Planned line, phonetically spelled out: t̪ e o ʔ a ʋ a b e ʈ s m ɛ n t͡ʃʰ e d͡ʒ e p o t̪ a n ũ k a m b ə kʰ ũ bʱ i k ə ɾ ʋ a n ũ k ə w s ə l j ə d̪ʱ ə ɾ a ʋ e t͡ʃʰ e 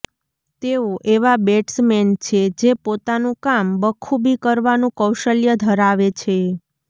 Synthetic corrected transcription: t̪ e o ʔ e ʋ a b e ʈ s m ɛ n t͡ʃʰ e d͡ʒ e p o t̪ a n ũ k a m b ə kʰ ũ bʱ i k ə ɾ ʋ a n ũ k ə w ʃ ə l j ə d̪ʱ ə ɾ a ʋ e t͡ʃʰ e